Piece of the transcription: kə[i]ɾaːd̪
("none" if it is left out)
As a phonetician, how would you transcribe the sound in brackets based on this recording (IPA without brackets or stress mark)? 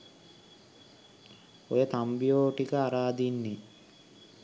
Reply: a